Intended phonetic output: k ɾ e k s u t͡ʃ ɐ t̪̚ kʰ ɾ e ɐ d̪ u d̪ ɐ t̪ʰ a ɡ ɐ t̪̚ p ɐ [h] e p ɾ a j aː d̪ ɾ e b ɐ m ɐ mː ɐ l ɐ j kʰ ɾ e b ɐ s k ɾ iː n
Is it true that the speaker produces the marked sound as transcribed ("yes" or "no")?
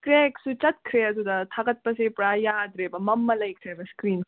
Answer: no